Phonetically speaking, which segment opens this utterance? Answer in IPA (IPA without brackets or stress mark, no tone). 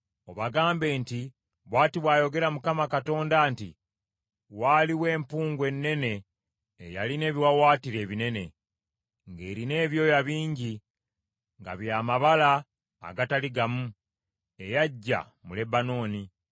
o̞